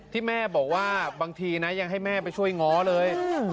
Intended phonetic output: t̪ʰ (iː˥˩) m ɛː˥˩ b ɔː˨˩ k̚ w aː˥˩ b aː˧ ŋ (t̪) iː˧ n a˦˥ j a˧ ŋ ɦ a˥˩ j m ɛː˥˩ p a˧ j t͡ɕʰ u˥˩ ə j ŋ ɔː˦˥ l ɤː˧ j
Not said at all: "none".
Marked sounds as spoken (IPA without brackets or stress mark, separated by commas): iː˥˩, t̪ʰ